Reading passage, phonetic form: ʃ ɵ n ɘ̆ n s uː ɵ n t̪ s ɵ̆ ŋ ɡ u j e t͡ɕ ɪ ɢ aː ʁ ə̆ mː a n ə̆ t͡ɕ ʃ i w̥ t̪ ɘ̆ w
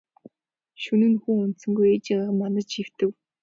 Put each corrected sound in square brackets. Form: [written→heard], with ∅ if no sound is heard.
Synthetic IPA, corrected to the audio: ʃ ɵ n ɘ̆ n [s→x] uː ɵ n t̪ s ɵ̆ ŋ ɡ u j e t͡ɕ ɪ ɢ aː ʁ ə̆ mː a n ə̆ t͡ɕ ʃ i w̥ t̪ ɘ̆ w